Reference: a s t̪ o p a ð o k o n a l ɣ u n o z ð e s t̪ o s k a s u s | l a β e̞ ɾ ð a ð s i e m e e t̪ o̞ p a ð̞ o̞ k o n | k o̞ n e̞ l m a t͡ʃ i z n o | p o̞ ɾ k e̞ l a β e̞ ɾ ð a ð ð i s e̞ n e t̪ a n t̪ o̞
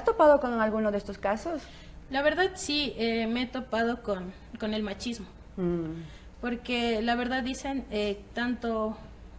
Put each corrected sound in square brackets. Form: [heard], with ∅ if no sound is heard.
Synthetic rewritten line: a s t̪ o p a ð o k o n a l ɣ u n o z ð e s t̪ o s k a s [o] s | l a β e̞ ɾ ð a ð s i e m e e t̪ o̞ p a ð̞ o̞ k o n | k o̞ n e̞ l m a t͡ʃ i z [m] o | p o̞ ɾ k e̞ l a β e̞ ɾ ð a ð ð i s e̞ n e t̪ a n t̪ o̞